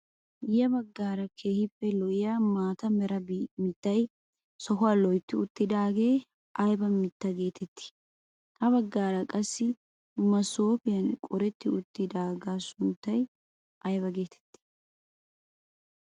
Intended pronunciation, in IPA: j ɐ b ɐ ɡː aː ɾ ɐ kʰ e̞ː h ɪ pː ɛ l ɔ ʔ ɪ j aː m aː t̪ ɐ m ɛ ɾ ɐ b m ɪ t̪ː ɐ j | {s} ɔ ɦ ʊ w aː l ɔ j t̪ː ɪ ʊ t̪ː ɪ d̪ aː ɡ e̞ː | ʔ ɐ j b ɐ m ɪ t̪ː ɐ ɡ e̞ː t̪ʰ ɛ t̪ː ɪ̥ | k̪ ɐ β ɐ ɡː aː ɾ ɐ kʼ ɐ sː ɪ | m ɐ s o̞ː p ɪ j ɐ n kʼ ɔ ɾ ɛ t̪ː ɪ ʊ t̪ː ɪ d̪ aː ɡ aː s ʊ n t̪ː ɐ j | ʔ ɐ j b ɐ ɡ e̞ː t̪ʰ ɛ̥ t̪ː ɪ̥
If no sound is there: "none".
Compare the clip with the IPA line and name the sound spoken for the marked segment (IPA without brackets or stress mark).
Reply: s